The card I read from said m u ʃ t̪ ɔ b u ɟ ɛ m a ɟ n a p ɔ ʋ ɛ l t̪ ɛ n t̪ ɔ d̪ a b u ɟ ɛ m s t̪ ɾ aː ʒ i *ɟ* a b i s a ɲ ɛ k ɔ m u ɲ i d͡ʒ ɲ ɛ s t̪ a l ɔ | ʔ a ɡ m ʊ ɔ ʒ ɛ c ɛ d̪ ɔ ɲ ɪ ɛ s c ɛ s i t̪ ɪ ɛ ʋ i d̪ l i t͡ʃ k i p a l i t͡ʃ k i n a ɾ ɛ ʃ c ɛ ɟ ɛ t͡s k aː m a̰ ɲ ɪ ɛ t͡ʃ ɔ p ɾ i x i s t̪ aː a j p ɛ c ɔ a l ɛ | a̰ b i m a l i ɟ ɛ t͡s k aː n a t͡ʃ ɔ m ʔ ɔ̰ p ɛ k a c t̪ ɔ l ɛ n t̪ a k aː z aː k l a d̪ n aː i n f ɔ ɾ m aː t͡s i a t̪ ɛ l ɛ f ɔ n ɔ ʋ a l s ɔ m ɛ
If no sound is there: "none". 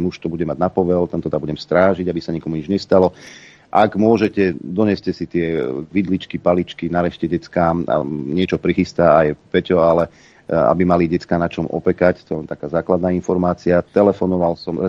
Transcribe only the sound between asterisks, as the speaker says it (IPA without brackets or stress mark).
ɟ